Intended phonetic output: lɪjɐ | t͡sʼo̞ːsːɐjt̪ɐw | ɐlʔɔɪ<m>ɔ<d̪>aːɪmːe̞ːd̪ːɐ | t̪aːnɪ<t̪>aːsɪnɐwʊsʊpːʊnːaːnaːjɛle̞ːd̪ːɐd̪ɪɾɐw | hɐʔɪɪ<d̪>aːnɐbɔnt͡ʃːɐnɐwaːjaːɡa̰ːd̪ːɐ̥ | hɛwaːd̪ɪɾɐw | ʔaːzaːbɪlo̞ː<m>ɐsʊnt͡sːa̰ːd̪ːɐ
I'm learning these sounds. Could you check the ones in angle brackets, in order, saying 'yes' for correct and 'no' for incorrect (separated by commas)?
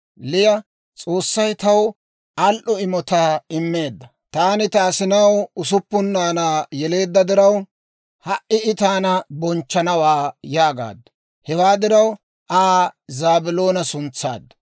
yes, no, yes, no, no